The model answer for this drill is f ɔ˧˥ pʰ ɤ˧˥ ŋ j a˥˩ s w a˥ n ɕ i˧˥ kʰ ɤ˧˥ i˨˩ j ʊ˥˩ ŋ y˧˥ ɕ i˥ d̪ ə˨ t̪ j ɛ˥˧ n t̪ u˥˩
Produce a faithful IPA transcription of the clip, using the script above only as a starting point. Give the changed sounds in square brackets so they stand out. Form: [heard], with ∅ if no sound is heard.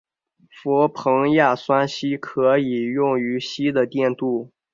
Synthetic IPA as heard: f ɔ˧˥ pʰ ɤ˧˥ ŋ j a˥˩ s w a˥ n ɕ [i˥] kʰ ɤ˧˥ i˨˩ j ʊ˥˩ ŋ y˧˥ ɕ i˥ d̪ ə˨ t̪ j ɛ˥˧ n t̪ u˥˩

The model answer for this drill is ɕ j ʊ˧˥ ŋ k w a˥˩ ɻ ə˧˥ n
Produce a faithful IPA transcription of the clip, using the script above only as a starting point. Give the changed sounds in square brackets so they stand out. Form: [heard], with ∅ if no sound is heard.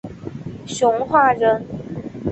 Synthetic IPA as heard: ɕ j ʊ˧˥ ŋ [x] w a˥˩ ɻ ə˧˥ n

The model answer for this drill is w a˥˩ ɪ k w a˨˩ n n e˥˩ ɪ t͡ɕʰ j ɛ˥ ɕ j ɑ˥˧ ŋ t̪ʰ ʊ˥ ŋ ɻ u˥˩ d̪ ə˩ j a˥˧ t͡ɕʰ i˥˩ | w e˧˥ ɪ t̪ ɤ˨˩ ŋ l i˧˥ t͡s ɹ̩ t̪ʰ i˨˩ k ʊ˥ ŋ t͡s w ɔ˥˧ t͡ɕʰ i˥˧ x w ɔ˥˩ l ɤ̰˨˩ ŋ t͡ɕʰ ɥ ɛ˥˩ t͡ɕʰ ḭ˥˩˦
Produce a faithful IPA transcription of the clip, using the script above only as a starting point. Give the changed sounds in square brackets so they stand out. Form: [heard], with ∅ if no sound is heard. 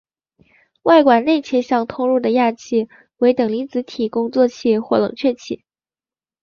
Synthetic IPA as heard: w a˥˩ ɪ k w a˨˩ n n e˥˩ ɪ t͡ɕʰ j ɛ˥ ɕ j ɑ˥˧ ŋ t̪ʰ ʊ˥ ŋ ɻ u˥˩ d̪ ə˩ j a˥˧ t͡ɕʰ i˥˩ | w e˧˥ ɪ t̪ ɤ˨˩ ŋ l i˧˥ t͡s ɹ̩ t̪ʰ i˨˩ k ʊ˥ ŋ t͡s w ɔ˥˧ t͡ɕʰ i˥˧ x w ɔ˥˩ l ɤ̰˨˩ ŋ t͡ɕʰ ɥ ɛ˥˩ t͡ɕʰ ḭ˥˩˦

